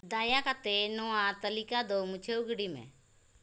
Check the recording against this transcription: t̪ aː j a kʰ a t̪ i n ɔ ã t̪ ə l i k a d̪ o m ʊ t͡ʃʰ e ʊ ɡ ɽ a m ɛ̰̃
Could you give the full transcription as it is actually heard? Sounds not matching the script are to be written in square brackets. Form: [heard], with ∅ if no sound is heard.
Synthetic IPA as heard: [d̪] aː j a [k] a t̪ [e] n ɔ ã t̪ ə l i k a d̪ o m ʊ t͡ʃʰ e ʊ ɡ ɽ [i] m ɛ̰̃